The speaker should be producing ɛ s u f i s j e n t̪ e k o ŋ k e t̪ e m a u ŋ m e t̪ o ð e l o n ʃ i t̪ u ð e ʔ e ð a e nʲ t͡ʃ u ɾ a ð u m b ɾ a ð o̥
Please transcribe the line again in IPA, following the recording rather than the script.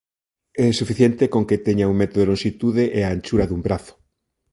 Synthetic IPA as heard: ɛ s u f i θ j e n t̪ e k o ŋ k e t̪ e ɲ a u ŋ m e t̪ o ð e l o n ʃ i t̪ u ð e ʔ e a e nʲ t͡ʃ u ɾ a ð u m b ɾ a θ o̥